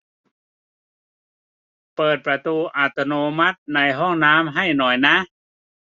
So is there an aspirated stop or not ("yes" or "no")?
no